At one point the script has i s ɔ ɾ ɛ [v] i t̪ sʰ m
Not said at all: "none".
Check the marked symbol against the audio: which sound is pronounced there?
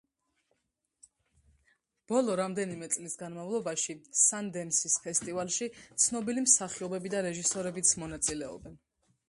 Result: b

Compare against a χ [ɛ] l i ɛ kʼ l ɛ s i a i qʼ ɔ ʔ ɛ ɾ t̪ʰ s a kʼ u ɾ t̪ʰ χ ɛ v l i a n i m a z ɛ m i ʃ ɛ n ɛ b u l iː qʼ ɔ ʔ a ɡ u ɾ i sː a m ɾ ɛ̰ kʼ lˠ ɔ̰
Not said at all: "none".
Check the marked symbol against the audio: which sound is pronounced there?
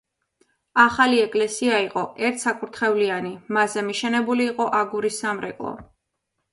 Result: a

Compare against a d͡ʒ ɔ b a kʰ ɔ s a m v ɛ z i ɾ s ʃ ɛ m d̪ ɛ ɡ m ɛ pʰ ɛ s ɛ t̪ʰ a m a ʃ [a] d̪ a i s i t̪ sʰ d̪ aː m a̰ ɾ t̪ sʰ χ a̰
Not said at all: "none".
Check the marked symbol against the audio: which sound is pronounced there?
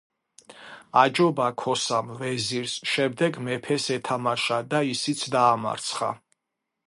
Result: a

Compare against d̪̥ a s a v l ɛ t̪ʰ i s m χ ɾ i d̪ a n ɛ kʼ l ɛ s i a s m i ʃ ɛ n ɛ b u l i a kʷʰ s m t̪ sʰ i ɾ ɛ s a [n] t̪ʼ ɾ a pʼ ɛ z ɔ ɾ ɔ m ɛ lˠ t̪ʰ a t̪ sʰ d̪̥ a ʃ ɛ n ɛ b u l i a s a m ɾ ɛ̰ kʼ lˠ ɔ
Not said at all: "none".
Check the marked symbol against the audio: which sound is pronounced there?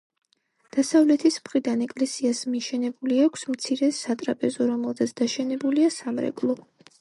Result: none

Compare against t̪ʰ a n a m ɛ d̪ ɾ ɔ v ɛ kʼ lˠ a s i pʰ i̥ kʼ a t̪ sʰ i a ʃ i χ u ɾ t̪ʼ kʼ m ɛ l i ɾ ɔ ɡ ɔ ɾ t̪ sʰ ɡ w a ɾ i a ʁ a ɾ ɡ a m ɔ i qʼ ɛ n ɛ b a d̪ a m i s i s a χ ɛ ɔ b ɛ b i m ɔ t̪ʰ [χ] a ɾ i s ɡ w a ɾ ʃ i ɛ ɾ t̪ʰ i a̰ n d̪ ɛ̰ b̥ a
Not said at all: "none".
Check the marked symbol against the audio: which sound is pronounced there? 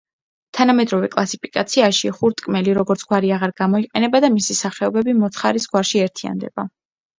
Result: χ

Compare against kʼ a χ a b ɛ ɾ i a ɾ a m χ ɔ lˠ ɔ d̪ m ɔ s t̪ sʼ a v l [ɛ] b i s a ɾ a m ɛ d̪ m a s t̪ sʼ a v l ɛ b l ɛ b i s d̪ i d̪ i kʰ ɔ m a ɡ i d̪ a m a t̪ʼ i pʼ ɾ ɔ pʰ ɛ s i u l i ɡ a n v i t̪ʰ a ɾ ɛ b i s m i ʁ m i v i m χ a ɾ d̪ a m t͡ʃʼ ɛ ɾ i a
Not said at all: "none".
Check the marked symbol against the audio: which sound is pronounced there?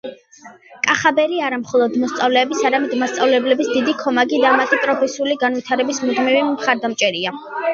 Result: ɛː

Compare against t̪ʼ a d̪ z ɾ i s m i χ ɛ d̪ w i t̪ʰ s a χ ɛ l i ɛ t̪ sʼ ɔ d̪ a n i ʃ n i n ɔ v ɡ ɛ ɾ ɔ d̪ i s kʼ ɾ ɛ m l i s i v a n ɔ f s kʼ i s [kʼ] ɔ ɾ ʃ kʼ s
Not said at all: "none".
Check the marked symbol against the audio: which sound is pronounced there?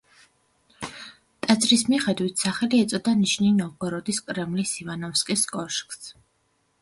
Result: kʼ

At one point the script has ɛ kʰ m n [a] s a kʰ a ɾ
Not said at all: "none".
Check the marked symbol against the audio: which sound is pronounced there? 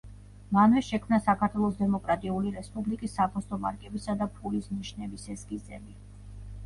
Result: a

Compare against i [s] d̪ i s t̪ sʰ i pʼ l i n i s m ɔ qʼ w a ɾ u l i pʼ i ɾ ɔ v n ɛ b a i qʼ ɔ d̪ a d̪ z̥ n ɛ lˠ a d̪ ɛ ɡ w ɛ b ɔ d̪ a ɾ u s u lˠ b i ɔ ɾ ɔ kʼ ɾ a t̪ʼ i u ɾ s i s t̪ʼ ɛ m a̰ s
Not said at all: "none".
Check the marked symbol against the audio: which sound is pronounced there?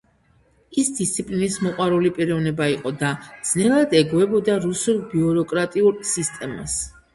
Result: s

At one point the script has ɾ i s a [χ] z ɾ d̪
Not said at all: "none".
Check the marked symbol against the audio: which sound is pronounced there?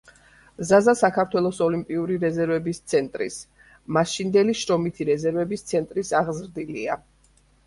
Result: ʁ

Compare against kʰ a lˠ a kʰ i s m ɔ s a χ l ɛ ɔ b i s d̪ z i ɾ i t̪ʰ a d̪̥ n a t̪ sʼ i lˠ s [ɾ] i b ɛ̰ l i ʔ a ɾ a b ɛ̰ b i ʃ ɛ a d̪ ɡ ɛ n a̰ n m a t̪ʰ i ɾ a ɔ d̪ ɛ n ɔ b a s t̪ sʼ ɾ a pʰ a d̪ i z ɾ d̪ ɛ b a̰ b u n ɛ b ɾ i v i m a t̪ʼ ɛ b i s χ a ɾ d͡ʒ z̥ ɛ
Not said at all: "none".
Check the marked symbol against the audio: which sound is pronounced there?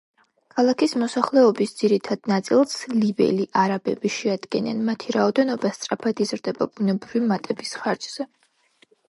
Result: l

